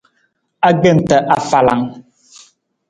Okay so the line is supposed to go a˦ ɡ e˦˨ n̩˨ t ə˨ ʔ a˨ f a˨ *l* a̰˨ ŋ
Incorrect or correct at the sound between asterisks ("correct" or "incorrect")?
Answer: correct